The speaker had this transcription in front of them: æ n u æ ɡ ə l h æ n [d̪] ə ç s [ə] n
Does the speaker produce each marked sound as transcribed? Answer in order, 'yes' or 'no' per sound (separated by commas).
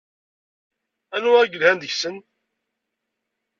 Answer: yes, yes